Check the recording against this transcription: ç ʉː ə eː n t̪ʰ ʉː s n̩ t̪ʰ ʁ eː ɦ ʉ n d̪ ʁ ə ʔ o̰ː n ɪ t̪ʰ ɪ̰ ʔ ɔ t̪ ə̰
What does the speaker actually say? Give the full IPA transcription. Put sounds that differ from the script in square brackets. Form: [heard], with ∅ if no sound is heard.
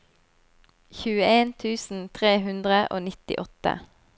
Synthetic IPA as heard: ç ʉː ə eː n t̪ʰ ʉː s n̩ t̪ʰ ʁ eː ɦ ʉ n d̪ ʁ ə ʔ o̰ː n ɪ [t̪] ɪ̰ ʔ ɔ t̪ ə̰